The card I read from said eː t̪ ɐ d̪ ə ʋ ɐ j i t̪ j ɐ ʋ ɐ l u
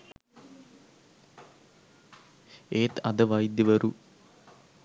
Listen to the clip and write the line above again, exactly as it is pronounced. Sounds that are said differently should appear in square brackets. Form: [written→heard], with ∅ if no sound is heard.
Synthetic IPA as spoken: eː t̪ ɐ d̪ ə ʋ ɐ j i [t̪→d̪] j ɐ ʋ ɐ [l→ɾ] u